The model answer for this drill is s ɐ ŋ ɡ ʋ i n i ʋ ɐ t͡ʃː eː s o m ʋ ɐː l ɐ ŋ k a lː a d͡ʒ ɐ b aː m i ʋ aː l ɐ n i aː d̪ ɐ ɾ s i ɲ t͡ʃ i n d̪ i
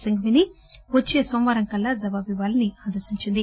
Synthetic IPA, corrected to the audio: s ɐ ŋ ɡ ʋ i n i ʋ ɐ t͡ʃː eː s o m ʋ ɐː ɾ ɐ ŋ k ɐ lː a d͡ʒ ɐ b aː b i ʋ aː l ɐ n i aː d̪ ɐ ɾ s i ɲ t͡ʃ i n d̪ i

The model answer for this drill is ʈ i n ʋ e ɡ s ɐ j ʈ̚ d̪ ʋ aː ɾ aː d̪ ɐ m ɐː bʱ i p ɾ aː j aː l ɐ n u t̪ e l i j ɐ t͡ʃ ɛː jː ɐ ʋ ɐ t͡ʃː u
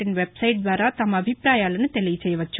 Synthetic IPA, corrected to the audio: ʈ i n ʋ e b s ɐ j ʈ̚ d̪ ʋ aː ɾ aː t̪ ɐ m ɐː bʱ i p ɾ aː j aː l ɐ n u t̪ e l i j ɐ t͡ʃ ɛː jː ɐ ʋ ɐ t͡ʃː u

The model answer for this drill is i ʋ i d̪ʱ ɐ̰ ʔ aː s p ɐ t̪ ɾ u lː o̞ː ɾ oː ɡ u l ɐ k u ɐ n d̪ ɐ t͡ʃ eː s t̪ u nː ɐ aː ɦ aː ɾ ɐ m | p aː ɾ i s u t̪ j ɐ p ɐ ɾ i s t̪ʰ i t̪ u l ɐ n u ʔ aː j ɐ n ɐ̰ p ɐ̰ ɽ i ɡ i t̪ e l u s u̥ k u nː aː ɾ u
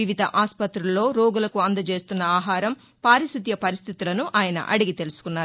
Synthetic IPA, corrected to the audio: i ʋ i d̪ʱ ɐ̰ ʔ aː s p ɐ t̪ ɾ u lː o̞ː ɾ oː ɡ u l ɐ k u ɐ n d̪ ɐ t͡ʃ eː s t̪ u nː ɐ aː ɦ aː ɾ ɐ m | p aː ɾ i s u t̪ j ɐ p ɐ ɾ i s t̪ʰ i t̪ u l ɐ n u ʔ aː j ɐ n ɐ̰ ʔ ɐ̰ ɽ i ɡ i t̪ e l u s u̥ k u nː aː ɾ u

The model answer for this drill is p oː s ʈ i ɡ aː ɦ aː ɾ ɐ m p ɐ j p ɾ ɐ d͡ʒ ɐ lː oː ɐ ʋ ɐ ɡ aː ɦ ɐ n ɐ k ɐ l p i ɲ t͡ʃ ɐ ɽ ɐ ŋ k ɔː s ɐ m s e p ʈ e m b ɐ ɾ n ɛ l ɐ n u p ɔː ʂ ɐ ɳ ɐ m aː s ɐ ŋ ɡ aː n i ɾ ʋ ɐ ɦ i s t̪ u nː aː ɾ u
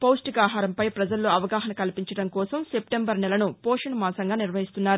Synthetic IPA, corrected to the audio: p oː s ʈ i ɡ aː ɦ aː ɾ ɐ m p ɐ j p ɾ ɐ d͡ʒ ɐ lː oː ɐ ʋ ɐ ɡ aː ɦ ɐ n ɐ k ɐ l p i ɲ t͡ʃ ɐ ɽ ɐ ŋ k ɔː s ɐ m s e p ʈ e m b ɐ ɾ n ɛ l ɐ n u p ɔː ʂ ɐ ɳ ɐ m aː s ɐ ŋ ɡ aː n i ɾ ʋ ɐ ɦ i s t̪ u nː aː ɾ u

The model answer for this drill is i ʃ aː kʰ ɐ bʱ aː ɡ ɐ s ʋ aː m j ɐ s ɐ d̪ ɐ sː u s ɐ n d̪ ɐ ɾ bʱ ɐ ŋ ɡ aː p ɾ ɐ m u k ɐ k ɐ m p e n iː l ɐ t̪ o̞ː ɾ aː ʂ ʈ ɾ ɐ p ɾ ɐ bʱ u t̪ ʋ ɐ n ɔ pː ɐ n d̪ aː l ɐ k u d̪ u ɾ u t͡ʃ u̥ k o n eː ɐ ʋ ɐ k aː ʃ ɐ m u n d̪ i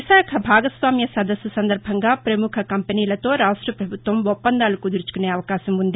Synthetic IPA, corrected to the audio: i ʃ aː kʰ ɐ bʱ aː ɡ ɐ s ʋ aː m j ɐ s ɐ d̪ ɐ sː u s ɐ n d̪ ɐ ɾ bʱ ɐ ŋ ɡ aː p ɾ ɐ m u kʰ ɐ k ɐ m p e n iː l ɐ t̪ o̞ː ɾ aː ʂ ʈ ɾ ɐ p ɾ ɐ bʱ u t̪ ʋ ɐ m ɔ pː ɐ n d̪ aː l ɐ k u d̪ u ɾ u t͡ʃ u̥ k u n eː ɐ ʋ ɐ k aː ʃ ɐ m u n d̪ i

